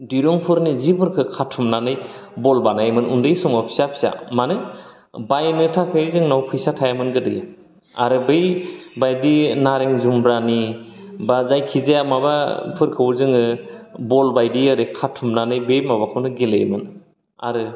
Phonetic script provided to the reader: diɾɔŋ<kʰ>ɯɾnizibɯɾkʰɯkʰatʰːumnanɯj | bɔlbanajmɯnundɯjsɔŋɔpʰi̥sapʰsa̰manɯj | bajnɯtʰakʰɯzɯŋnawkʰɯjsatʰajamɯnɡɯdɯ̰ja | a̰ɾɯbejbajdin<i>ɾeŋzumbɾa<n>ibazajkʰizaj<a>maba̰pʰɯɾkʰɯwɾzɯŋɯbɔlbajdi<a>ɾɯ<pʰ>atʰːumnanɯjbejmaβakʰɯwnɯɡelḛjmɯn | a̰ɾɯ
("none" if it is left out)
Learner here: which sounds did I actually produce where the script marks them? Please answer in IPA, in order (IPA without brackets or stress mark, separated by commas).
pʰ, a, n, a, a, kʰ